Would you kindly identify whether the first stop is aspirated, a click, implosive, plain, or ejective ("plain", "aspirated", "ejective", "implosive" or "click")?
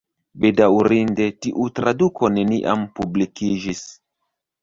plain